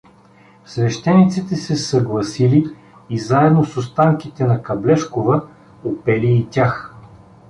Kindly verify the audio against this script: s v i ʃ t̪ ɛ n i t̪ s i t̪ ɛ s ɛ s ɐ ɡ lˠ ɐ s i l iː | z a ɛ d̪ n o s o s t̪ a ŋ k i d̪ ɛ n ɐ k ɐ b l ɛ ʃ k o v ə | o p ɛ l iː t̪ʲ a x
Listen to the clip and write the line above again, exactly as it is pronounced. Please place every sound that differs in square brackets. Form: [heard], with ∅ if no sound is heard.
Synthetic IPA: s v [ɛ] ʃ t̪ ɛ n i t̪ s i t̪ ɛ s ɛ s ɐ ɡ lˠ ɐ s i l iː | z a ɛ d̪ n o s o s t̪ a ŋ k i [t̪] ɛ n ɐ k ɐ b l ɛ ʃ k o v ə | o p ɛ l iː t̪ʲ a x